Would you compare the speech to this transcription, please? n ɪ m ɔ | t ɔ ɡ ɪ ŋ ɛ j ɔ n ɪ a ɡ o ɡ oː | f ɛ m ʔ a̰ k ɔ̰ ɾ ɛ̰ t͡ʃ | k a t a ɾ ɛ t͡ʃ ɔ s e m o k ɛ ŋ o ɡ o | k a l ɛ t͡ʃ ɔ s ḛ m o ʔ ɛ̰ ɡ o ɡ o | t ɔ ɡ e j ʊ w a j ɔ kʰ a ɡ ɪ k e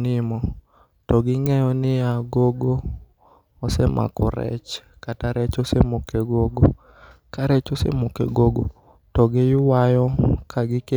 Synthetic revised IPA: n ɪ m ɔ | t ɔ ɡ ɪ ŋ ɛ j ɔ n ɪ a ɡ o ɡ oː | s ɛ m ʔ a̰ k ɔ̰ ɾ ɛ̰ t͡ʃ | k a t a ɾ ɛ t͡ʃ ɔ s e m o k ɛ ɡ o ɡ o | k a ɾ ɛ t͡ʃ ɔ s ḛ m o k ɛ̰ ɡ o ɡ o | t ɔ ɡ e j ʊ w a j ɔ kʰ a ɡ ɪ k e